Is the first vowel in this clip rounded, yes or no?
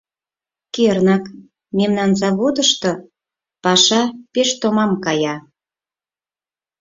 no